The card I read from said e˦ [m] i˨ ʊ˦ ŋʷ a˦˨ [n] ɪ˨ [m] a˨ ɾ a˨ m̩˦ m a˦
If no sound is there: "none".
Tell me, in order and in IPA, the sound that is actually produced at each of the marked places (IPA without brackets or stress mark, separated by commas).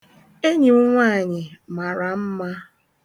ɲ, ɲ, m